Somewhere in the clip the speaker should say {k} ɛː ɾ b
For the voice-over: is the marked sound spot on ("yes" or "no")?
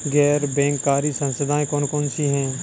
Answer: no